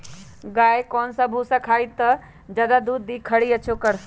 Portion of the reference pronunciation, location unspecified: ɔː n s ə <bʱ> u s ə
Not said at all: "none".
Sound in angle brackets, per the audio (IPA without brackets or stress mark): bʱ